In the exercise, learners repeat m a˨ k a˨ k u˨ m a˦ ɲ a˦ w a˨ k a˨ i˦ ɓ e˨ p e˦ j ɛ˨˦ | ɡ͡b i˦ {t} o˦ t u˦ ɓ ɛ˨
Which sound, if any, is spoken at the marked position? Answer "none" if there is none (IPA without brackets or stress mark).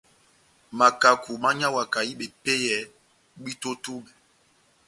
t